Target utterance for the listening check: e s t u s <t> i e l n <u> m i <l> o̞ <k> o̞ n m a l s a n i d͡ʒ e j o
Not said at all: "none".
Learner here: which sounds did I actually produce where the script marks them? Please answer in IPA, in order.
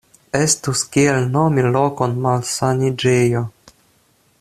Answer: k, o, l, k

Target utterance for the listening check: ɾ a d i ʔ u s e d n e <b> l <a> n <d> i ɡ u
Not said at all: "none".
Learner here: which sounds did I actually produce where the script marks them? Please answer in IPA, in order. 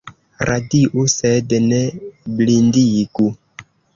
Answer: b, i, d

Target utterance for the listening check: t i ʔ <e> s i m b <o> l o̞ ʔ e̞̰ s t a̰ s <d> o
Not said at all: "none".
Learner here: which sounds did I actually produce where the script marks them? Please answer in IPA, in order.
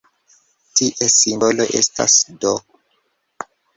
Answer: e, o, d

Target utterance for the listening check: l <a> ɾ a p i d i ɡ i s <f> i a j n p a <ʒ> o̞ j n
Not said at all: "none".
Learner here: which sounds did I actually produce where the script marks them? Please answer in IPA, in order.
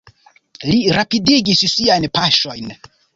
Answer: i, s, ʃ

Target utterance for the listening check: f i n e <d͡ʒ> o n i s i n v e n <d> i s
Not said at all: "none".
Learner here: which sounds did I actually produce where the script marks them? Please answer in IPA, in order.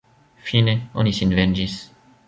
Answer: none, d͡ʒ

